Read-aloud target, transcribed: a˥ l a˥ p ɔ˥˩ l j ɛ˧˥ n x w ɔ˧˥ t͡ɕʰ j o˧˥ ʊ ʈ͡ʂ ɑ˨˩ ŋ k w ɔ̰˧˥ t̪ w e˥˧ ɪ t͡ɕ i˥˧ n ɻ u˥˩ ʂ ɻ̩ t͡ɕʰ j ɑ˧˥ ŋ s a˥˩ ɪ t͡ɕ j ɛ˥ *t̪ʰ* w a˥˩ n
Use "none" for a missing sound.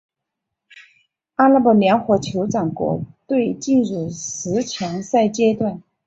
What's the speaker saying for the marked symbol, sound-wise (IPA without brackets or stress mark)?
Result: t̪